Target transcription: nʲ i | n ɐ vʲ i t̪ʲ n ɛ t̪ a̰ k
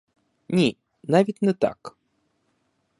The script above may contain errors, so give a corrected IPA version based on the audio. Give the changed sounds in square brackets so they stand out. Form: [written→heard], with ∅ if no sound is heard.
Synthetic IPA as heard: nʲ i | n [ɐ→a] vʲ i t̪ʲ n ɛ t̪ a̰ k